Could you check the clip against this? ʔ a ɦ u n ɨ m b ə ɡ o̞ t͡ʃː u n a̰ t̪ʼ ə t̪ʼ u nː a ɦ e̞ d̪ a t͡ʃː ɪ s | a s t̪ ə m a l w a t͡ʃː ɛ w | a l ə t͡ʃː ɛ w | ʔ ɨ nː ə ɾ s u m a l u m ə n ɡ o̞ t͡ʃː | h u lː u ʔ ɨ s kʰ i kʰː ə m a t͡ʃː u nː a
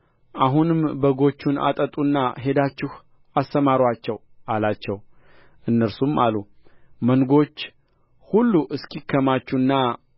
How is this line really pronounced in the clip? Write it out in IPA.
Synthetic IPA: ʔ a ɦ u n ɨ m b ə ɡ o̞ t͡ʃː u n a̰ t̪ʼ ə t̪ʼ u nː a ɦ e̞ d̪ a t͡ʃː ɪ h | a s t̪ ə m a ɾ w a t͡ʃː ɛ w | a l a t͡ʃː ɛ w | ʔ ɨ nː ə ɾ s u m a l u m ə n ɡ o̞ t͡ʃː | h u lː u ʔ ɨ s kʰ i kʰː ə m a t͡ʃː u nː a